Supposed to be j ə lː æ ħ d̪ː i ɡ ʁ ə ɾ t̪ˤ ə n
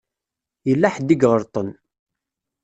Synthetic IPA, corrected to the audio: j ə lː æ ħ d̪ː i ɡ ʁ ə ɾ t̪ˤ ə n